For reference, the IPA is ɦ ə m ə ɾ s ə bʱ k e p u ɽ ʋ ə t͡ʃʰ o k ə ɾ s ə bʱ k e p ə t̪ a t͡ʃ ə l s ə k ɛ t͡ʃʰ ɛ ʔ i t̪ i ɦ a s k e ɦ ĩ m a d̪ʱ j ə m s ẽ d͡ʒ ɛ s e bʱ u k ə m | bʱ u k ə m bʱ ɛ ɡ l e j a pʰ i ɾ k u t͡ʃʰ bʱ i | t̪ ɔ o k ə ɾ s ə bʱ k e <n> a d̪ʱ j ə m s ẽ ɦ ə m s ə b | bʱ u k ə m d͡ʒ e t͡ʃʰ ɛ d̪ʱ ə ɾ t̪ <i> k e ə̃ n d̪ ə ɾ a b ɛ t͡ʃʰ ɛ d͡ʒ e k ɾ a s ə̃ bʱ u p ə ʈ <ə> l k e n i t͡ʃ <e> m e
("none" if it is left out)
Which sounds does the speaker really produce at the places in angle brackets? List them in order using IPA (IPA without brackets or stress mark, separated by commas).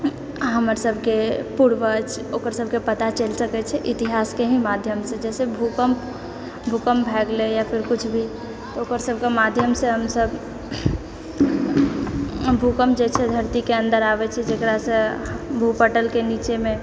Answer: m, i, ə, e